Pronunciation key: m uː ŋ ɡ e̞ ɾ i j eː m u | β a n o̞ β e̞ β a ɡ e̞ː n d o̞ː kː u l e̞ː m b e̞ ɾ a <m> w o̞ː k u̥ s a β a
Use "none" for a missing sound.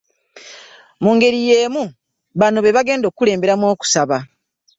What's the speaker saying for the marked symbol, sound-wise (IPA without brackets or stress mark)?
m